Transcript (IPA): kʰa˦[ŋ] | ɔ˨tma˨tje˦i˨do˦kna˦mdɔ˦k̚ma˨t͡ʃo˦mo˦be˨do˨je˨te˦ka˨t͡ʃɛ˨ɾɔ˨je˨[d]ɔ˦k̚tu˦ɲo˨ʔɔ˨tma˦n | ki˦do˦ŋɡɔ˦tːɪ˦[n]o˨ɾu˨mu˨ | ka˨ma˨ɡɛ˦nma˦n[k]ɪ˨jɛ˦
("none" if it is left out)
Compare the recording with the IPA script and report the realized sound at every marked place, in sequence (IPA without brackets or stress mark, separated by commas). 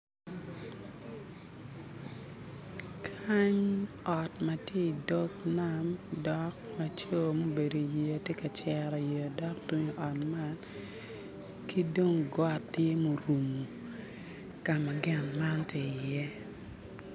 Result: ɲ, d, m, t